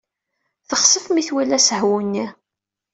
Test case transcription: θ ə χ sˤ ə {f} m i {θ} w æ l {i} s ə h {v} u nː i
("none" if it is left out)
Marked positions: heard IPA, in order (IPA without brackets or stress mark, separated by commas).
f, θ, æ, w